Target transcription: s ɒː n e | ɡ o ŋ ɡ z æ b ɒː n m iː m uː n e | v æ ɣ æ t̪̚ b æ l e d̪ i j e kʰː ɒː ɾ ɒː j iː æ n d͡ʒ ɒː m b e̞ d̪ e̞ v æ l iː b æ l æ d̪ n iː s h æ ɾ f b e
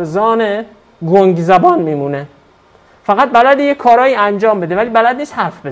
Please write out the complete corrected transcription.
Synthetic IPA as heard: z ɒː n e | ɡ o ŋ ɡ z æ b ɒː n m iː m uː n e | f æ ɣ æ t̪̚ b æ l æ d̪ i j e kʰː ɒː ɾ ɒː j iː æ n d͡ʒ ɒː m b e̞ d̪ e̞ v æ l iː b æ l æ d̪ n iː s h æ ɾ f b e